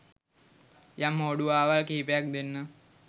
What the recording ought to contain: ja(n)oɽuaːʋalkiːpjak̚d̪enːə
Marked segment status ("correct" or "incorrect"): incorrect